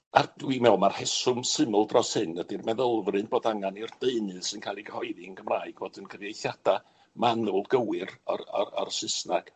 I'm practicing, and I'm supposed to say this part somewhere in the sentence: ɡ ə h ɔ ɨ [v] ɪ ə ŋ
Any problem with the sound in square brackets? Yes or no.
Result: yes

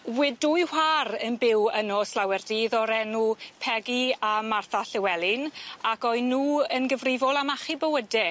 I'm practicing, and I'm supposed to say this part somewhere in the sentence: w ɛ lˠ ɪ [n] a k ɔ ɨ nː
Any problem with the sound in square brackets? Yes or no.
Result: no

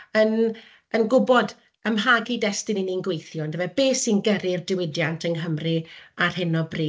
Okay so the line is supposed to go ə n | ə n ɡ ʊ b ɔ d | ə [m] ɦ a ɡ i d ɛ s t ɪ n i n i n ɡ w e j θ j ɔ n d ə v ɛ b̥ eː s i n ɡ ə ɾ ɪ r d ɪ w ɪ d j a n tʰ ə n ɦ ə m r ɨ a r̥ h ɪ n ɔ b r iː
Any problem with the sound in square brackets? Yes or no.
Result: no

